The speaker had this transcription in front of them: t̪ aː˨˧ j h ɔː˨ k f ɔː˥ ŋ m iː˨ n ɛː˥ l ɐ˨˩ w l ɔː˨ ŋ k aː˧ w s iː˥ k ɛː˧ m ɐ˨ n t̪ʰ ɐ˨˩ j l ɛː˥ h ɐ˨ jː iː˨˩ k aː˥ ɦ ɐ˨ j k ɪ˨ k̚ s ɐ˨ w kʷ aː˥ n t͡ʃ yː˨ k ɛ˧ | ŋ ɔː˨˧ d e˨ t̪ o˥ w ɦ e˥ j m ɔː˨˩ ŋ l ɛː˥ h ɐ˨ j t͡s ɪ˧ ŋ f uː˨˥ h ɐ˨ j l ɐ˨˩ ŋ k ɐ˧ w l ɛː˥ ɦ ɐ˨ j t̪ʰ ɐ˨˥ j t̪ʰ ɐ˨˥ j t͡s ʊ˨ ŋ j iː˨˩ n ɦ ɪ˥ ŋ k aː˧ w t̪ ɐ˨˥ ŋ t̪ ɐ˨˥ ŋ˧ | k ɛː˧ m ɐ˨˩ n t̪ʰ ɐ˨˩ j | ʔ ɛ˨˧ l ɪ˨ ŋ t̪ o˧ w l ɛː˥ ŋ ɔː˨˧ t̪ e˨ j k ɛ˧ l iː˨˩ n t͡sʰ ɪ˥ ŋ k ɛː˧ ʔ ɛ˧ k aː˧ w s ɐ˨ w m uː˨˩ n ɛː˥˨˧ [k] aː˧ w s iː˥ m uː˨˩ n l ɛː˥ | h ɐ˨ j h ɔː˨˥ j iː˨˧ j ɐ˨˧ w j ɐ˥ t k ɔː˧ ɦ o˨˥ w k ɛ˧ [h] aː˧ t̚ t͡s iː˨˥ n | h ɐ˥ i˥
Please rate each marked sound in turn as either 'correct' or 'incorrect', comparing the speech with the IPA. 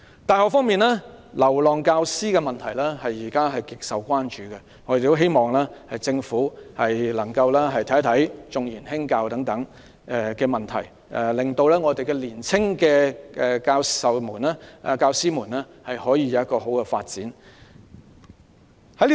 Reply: correct, incorrect

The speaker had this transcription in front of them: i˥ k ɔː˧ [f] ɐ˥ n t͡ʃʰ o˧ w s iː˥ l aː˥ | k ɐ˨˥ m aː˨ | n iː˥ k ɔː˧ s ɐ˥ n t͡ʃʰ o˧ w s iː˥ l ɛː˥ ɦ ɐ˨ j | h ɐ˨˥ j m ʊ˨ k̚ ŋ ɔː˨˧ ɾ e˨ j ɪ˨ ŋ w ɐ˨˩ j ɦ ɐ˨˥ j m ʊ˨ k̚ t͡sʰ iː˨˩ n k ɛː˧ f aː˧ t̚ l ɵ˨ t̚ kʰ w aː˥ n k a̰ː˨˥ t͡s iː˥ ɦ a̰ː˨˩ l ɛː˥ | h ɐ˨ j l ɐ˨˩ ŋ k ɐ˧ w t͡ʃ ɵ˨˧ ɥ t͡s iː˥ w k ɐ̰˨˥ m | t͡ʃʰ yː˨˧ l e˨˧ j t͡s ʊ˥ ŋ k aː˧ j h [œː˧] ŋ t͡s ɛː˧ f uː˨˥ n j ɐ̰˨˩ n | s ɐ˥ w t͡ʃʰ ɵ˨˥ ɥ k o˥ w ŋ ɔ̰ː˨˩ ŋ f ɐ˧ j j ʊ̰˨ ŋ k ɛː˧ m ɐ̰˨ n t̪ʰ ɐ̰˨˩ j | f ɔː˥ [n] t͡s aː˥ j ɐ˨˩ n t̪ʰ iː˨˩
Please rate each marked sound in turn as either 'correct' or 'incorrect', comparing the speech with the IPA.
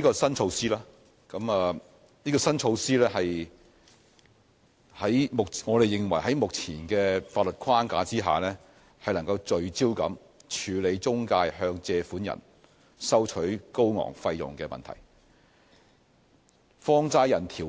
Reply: incorrect, correct, incorrect

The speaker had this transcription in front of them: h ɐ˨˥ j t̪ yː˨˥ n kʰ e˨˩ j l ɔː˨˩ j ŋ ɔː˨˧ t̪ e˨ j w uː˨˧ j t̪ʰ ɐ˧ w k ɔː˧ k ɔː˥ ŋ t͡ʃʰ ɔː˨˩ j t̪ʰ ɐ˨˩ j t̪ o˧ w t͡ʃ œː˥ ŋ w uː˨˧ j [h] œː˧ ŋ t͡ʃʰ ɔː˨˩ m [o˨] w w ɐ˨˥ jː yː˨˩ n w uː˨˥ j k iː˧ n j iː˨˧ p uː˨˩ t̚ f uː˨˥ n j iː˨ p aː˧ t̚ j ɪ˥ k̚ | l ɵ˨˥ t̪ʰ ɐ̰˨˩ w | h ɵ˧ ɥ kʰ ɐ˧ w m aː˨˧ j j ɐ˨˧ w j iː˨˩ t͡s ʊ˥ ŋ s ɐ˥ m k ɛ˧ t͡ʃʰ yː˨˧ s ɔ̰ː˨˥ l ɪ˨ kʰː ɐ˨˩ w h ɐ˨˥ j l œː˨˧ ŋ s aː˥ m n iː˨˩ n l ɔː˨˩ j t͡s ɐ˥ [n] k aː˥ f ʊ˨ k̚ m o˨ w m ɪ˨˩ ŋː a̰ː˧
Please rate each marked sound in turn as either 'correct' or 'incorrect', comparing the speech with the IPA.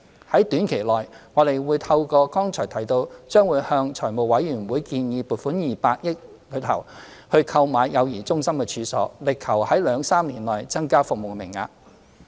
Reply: correct, correct, incorrect

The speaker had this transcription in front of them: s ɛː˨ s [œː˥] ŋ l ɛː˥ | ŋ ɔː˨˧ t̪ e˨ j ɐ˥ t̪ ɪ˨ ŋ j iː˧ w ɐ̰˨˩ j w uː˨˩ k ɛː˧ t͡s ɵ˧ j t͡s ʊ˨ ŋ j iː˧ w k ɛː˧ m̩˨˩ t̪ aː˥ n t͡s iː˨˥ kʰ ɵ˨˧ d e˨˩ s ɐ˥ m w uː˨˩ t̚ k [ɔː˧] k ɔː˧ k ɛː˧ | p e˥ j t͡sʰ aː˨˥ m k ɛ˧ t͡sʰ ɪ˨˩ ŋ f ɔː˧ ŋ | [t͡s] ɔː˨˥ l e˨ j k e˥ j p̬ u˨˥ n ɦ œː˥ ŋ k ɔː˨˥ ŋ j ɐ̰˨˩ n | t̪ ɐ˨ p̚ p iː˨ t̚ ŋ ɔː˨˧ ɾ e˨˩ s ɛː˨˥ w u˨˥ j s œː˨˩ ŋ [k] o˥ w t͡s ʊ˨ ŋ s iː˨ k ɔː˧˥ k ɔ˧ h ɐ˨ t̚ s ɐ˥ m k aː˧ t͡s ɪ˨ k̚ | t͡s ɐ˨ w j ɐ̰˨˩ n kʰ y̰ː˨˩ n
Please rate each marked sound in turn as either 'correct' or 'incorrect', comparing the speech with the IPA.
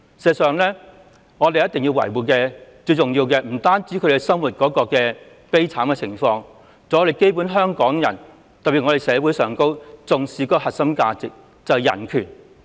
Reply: incorrect, incorrect, correct, correct

